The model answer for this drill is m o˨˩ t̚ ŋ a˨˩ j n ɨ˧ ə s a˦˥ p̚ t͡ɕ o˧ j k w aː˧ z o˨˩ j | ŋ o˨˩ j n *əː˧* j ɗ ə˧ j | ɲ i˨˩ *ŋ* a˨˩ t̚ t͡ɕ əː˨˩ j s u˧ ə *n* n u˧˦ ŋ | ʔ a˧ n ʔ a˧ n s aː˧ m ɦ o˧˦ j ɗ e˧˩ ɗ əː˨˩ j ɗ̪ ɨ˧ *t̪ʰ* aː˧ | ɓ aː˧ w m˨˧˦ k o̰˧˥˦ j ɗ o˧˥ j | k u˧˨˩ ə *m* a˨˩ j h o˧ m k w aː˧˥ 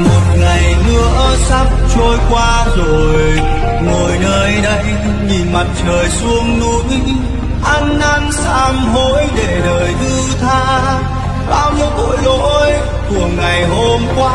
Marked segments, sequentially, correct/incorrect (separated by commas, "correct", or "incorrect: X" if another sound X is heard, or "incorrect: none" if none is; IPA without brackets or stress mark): correct, incorrect: m, incorrect: ŋ, correct, incorrect: ŋ